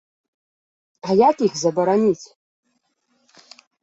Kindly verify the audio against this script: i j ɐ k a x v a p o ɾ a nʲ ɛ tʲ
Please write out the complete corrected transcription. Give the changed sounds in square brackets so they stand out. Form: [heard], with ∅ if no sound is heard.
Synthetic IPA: [a] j [a] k [i] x [z] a [b] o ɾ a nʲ [i] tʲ